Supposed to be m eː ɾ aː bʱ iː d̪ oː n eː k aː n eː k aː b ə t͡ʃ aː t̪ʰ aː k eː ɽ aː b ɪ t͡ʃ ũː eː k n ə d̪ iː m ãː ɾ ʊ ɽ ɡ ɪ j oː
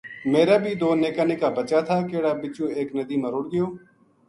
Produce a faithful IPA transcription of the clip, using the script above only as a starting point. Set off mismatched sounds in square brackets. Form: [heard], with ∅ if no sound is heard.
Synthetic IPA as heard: m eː ɾ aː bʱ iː d̪ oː n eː k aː n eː k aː b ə t͡ʃ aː t̪ʰ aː k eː ɽ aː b ɪ t͡ʃ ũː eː k n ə d̪ iː m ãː ɾ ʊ ɽ ɡ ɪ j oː

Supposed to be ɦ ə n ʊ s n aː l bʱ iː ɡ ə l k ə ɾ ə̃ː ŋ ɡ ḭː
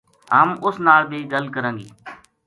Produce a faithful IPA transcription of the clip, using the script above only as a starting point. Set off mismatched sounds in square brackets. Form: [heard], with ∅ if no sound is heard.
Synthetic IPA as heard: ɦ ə [m] ʊ s n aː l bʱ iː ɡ ə l k ə ɾ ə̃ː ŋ ɡ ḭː

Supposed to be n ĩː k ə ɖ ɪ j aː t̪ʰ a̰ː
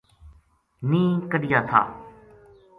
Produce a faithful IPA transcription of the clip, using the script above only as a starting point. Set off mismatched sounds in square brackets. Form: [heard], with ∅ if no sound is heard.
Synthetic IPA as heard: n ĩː k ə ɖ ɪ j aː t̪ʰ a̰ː

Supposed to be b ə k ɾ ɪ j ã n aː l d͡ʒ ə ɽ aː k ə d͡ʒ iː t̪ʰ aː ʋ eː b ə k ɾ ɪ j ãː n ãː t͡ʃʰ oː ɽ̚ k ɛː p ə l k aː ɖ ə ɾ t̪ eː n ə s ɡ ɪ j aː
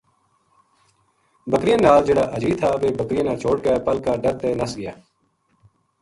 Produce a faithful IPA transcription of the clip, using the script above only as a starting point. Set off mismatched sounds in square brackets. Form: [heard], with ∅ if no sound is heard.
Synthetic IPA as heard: b ə k ɾ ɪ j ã n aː l d͡ʒ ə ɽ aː [ʔ] ə d͡ʒ iː t̪ʰ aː ʋ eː b ə k ɾ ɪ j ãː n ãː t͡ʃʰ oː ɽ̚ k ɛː p ə l k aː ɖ ə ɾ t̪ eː n ə s ɡ ɪ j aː

